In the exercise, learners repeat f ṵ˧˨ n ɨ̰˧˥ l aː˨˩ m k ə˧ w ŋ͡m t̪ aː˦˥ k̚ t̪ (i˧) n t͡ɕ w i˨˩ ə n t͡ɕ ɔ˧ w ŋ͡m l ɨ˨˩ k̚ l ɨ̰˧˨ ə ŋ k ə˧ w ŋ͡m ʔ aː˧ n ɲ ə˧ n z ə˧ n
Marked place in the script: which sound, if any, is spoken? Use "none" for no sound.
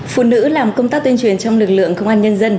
i˧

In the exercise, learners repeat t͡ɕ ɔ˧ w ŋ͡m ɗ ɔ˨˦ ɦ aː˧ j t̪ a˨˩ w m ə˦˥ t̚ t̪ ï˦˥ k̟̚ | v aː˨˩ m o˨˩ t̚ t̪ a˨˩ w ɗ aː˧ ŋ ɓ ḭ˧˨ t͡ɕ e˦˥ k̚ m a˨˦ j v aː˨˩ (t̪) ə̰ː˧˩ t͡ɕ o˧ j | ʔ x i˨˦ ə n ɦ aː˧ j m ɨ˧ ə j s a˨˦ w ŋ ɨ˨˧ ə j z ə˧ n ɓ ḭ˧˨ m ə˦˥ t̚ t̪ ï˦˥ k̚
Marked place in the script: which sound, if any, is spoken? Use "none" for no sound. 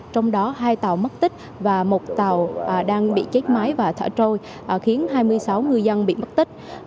t̪ʰ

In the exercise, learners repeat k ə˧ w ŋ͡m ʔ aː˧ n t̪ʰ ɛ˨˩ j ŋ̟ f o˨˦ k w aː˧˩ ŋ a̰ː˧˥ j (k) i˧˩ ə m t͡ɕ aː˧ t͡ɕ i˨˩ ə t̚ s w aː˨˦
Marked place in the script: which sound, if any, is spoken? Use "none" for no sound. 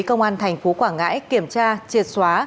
k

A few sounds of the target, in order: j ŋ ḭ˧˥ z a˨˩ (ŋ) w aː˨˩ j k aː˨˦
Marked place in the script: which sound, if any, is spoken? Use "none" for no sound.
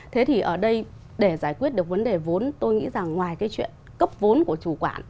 ŋː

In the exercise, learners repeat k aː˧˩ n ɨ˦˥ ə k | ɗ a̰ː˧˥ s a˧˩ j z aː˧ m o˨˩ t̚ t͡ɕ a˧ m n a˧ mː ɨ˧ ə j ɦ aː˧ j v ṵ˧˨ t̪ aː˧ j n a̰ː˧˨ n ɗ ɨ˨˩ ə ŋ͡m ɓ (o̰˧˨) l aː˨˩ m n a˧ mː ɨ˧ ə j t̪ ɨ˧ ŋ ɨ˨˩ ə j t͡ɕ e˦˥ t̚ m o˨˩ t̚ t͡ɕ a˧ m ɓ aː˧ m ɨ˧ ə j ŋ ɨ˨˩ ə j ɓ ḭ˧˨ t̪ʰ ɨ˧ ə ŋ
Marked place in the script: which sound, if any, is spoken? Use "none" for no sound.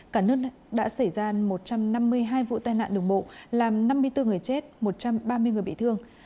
o̰˧˨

